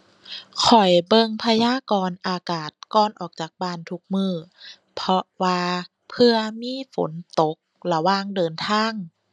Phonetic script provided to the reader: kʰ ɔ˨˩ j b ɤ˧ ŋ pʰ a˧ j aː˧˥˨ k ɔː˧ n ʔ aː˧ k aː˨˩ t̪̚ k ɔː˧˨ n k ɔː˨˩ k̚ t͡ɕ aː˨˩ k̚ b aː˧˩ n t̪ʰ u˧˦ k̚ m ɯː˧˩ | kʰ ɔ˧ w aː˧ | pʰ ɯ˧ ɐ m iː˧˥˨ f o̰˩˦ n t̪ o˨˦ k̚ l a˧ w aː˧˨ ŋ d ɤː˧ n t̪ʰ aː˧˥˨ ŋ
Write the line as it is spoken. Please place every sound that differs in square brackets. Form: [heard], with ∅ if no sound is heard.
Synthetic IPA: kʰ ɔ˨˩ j b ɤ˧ ŋ pʰ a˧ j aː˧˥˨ k ɔː˧ n ʔ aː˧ k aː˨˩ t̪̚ k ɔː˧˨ n [ʔ] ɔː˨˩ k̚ t͡ɕ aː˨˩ k̚ b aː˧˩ n t̪ʰ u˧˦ k̚ m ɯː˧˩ | [pʰ] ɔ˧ w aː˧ | pʰ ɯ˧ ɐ m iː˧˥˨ f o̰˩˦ n t̪ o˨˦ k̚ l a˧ w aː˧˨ ŋ d ɤː˧ n t̪ʰ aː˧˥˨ ŋ